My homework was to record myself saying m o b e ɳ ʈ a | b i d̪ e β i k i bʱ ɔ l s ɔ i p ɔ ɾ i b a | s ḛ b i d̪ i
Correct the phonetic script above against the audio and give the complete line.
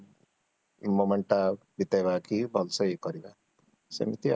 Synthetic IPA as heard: m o m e ɳ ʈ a | b i t̪ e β a k i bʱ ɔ l s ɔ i k ɔ ɾ i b a | s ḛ m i t̪ i